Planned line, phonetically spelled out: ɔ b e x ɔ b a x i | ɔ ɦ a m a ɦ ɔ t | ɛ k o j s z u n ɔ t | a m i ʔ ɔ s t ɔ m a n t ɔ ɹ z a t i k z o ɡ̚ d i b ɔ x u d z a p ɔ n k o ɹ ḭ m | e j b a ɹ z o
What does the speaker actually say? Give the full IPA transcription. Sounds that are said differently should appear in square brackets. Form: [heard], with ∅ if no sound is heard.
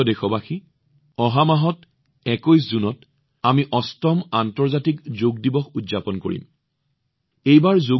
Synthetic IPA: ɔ [d] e x ɔ b a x i | ɔ ɦ a m a ɦ ɔ t | ɛ k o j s z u n ɔ t | a m i ʔ ɔ s t ɔ m a n t ɔ ɹ z a t i k z o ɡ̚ d i b ɔ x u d z a p ɔ n k o ɹ ḭ m | e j b a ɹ z o